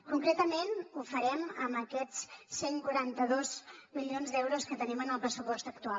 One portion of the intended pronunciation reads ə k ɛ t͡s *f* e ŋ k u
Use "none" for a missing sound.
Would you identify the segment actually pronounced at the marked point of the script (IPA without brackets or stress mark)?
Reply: s